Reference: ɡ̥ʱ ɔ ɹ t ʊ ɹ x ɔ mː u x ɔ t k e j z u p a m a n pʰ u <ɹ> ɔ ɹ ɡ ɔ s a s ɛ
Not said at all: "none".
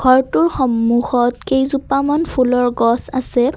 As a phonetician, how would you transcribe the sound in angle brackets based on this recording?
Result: l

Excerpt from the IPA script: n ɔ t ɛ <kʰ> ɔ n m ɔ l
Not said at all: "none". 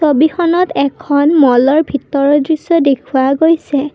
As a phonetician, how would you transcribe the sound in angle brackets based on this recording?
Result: kʰ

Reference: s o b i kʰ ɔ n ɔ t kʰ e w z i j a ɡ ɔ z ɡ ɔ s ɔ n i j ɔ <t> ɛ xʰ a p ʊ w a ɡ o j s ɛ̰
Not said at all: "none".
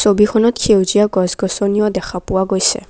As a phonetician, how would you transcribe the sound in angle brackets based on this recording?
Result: d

